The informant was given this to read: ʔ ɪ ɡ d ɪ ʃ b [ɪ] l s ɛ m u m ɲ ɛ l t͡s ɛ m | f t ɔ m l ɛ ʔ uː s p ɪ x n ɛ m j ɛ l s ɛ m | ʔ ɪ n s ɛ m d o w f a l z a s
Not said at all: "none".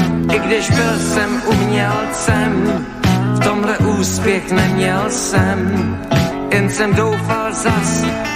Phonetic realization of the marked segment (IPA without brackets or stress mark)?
ɪ